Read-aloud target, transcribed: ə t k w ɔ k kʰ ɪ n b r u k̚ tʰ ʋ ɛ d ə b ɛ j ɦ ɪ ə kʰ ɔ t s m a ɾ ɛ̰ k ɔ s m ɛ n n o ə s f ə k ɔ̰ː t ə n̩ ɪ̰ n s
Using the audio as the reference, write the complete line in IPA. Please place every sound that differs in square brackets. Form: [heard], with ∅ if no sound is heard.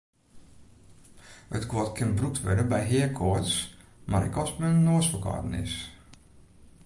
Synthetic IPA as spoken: ə t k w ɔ [t] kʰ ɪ n b r u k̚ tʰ ʋ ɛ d ə b ɛ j ɦ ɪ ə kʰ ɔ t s m a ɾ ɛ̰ k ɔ s m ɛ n n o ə s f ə k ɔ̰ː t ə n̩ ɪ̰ [∅] s